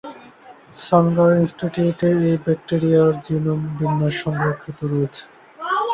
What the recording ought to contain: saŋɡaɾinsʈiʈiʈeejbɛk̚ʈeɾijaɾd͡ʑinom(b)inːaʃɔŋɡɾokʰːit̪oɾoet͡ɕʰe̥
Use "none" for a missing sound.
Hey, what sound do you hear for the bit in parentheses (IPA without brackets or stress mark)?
b